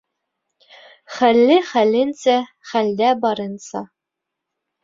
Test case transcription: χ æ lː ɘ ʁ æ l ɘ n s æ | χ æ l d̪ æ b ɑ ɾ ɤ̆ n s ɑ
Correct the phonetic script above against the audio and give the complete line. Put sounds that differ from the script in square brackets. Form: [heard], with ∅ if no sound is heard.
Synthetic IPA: χ æ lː ɘ [χ] æ l ɘ n s æ | χ æ l d̪ æ b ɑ ɾ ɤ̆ n s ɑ